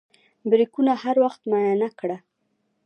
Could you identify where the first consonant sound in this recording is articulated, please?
labial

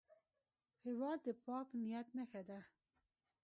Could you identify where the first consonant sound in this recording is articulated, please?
glottal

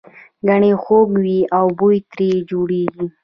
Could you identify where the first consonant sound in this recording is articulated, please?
velar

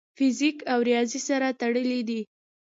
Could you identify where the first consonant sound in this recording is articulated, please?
labial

